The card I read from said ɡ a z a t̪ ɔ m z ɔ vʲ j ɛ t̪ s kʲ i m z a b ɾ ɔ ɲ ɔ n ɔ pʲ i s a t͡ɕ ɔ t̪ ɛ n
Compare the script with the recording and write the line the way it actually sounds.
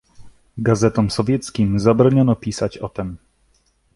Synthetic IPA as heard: ɡ a z ɛ t̪ ɔ m s ɔ vʲ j ɛ t̪ s kʲ i m z a b ɾ ɔ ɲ ɔ n ɔ pʲ i s a t͡ɕ ɔ t̪ ɛ m